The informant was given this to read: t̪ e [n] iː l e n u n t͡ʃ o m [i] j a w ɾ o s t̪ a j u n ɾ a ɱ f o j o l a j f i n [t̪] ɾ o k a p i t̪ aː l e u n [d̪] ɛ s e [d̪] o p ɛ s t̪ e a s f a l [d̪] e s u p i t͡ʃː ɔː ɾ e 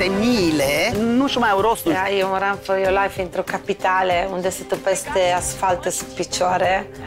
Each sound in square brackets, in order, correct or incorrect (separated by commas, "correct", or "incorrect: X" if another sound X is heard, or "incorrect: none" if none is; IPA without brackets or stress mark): incorrect: m, incorrect: a, correct, correct, incorrect: t̪, incorrect: t̪